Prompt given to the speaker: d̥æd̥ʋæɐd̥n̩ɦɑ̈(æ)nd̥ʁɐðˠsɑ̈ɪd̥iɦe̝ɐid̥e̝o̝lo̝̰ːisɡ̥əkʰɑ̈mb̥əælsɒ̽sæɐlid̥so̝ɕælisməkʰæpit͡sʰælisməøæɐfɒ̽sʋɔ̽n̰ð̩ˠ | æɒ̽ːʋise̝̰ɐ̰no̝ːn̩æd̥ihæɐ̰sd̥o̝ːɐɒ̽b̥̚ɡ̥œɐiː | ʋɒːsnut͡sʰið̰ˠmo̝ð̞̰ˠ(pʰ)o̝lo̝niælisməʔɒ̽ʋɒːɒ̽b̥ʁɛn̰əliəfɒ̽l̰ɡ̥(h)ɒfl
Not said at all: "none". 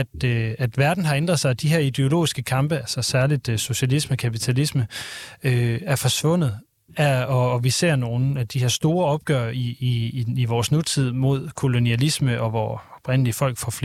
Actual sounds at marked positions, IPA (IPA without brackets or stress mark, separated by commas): e, kʰ, f